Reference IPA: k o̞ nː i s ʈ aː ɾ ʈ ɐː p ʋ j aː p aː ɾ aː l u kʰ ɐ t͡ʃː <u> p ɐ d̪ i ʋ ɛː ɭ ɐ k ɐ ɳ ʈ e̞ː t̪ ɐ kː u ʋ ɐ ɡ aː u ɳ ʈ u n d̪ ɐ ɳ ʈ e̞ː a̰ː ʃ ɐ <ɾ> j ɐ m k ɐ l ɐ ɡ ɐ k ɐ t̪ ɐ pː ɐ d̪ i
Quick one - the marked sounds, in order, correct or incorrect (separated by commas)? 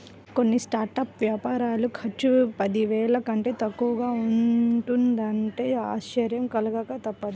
correct, correct